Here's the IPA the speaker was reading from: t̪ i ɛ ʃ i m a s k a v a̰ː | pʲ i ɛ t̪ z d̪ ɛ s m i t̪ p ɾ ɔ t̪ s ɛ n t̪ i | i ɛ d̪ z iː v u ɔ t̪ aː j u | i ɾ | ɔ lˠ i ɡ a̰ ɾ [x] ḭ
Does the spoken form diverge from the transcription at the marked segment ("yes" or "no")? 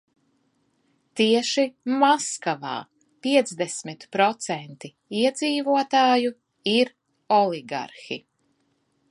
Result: no